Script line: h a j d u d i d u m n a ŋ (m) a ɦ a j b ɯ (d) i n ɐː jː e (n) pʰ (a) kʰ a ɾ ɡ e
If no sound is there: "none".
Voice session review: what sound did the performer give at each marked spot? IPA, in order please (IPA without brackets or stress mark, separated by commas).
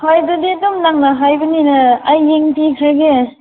n, n, ŋ, i